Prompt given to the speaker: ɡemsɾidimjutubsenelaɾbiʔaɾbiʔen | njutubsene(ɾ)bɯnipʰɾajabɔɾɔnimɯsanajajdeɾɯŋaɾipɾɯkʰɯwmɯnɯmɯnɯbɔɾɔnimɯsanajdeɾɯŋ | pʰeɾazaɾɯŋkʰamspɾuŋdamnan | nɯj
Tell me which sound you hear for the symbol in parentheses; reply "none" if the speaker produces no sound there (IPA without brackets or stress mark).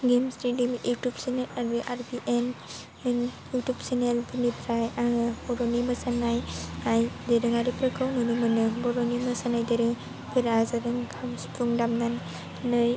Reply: l